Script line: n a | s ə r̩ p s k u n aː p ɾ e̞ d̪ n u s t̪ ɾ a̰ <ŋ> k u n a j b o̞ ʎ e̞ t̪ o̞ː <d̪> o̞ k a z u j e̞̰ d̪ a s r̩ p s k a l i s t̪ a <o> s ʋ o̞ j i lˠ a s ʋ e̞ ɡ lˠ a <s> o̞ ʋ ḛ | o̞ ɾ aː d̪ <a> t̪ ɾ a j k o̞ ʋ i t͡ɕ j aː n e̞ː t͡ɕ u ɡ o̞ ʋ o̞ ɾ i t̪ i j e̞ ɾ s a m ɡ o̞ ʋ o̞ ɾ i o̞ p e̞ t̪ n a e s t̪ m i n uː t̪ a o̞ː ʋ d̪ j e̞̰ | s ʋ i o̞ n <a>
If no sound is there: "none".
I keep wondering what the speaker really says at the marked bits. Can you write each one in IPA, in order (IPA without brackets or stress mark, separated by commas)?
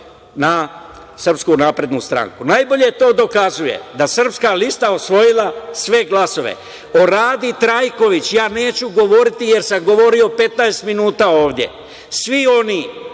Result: ŋ, d̪, o, s, i, i